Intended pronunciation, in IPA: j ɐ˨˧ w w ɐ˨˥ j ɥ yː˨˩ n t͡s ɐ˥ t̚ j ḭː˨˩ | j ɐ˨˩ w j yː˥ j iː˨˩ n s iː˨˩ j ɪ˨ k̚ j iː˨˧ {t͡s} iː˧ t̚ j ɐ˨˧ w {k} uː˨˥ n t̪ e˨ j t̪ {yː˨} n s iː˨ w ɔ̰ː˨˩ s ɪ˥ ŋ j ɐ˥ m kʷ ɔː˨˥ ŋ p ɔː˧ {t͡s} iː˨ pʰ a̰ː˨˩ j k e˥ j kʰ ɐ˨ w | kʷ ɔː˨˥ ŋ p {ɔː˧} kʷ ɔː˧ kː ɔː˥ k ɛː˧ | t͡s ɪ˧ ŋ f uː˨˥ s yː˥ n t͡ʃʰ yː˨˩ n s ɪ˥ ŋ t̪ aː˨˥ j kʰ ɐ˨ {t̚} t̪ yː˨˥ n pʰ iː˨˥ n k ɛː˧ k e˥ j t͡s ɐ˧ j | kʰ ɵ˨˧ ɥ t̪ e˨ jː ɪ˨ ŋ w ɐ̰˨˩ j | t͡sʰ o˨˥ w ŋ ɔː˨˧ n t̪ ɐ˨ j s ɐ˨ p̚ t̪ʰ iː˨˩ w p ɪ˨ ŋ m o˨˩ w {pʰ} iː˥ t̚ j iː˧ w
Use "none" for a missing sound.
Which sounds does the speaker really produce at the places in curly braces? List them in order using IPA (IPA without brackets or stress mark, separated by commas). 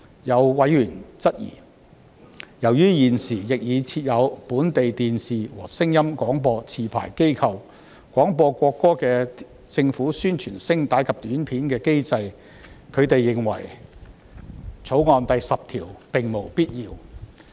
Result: t͡sʰ, p, iː˨, t͡sʰ, ɔː˧, p̚, p